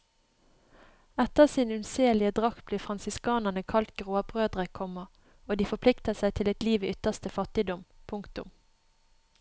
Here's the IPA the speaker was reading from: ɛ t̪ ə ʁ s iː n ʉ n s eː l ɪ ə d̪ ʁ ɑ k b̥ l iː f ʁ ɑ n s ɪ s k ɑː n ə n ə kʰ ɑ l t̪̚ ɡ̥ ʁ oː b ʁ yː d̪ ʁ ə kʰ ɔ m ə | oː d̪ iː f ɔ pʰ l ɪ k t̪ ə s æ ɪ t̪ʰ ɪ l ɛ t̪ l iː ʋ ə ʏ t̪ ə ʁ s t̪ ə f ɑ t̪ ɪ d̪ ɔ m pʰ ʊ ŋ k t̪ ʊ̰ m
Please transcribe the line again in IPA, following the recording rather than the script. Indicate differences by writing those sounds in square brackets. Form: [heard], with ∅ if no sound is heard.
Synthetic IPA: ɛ t̪ ə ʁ s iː n ʉ n s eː l ɪ ə d̪ ʁ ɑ k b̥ l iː f ʁ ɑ n s ɪ s k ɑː n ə n ə kʰ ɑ l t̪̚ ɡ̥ ʁ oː b ʁ [øː] d̪ ʁ ə kʰ ɔ m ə | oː d̪ iː f ɔ pʰ l ɪ k t̪ ə s æ ɪ t̪ʰ ɪ l ɛ t̪ l iː ʋ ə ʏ t̪ ə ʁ s t̪ ə f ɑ t̪ ɪ d̪ ɔ m pʰ ʊ ŋ k t̪ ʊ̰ m